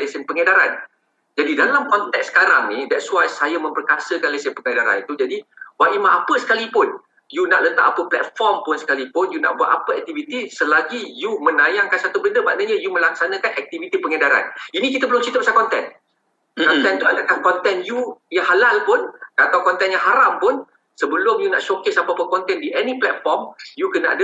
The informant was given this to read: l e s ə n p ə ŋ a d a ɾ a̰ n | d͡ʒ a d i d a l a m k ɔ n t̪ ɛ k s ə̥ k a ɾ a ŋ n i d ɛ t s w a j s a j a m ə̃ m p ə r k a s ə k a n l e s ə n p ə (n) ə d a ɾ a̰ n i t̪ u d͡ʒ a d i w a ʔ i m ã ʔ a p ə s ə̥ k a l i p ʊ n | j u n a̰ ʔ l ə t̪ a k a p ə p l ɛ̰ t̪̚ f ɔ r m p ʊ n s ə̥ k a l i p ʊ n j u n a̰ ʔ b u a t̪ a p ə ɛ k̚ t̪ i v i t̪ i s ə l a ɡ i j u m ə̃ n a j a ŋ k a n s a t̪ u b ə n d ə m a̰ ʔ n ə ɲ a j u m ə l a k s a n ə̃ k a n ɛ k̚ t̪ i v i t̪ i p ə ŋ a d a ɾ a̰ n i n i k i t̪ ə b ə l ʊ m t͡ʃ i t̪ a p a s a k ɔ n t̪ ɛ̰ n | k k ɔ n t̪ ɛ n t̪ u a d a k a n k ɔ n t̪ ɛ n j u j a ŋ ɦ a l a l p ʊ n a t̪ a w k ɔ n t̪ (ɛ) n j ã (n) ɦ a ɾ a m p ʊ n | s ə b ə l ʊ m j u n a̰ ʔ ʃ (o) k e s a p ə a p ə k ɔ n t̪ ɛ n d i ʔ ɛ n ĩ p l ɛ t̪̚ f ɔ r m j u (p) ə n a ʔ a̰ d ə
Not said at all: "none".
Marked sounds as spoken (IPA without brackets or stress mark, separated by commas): ŋ, ɛ, ŋ, o, k